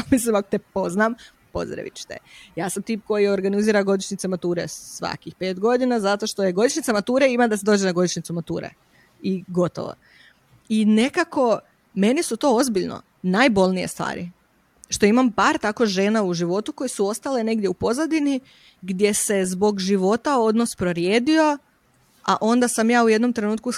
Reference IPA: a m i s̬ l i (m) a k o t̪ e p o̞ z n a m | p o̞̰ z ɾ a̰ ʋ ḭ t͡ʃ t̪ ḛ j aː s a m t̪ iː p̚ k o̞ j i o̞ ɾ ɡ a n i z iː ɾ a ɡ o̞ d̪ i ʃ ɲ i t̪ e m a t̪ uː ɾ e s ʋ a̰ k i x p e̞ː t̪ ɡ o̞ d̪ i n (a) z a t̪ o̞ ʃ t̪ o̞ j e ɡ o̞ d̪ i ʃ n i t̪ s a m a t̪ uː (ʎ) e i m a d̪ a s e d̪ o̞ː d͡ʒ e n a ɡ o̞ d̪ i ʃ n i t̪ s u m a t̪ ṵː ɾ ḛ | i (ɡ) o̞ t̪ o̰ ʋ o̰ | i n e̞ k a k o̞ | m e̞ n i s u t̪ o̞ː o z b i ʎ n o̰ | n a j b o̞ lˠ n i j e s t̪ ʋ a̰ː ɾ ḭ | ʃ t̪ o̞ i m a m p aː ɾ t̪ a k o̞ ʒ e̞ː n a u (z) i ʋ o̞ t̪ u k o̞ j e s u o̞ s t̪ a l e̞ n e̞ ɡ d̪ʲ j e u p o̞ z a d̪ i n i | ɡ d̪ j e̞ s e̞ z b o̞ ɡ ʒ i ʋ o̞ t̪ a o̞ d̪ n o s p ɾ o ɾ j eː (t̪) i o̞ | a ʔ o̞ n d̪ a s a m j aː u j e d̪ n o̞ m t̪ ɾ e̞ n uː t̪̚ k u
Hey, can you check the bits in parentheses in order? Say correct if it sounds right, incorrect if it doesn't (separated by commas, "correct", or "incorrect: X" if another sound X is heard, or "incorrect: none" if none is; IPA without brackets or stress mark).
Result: correct, correct, incorrect: ɾ, correct, incorrect: ʒ, incorrect: d̪